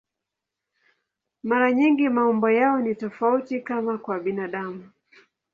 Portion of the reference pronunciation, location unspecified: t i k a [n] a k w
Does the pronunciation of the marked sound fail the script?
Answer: yes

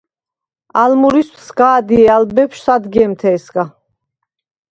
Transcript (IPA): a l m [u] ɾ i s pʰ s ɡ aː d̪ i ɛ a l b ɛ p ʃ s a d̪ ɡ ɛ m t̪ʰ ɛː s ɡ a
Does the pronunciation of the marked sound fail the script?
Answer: no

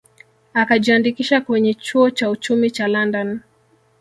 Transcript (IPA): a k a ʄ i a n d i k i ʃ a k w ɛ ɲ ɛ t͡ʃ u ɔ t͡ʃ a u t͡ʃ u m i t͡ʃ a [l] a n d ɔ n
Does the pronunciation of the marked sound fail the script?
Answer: no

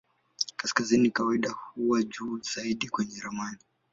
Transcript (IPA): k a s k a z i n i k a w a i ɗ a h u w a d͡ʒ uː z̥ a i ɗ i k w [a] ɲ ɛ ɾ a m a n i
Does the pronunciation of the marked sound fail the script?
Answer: yes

